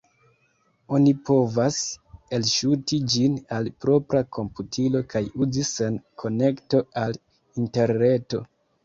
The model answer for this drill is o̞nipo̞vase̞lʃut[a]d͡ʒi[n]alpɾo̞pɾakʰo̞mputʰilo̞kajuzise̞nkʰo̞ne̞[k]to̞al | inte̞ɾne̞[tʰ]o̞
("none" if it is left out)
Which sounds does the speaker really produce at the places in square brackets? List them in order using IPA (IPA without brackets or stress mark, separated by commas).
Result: i, n, k, t